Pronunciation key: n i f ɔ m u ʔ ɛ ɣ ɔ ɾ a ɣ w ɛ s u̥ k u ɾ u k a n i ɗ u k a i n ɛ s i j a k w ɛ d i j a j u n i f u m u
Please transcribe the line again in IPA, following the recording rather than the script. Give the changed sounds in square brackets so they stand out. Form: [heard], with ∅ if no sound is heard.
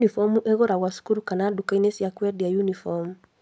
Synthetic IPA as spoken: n i f ɔ m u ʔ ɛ ɣ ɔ ɾ a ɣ w [a] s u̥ k u ɾ u k a n [a] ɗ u k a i n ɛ s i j a k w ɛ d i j a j u n i f [ɔ] m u